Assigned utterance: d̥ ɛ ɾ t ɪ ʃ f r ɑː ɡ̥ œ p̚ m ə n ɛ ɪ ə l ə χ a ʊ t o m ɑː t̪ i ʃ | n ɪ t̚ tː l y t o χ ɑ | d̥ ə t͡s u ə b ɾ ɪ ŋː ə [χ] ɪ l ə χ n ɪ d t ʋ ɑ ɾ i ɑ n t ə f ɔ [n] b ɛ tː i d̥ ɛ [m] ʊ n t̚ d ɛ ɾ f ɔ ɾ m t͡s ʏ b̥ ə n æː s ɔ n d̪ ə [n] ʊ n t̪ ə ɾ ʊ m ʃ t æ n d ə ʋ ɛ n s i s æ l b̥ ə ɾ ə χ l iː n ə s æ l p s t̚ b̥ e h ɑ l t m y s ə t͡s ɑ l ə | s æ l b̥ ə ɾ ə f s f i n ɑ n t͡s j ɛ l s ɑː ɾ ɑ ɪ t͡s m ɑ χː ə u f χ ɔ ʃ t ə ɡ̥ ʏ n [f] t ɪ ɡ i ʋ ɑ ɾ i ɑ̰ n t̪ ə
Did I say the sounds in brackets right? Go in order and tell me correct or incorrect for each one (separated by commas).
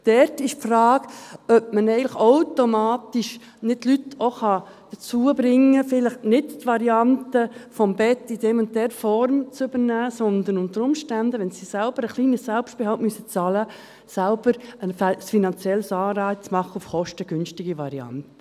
incorrect, incorrect, correct, correct, incorrect